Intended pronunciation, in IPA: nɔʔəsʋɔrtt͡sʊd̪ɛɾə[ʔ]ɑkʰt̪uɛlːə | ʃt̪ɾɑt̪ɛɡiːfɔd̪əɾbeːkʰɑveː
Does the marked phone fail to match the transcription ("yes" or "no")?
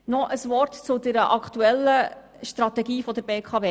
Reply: no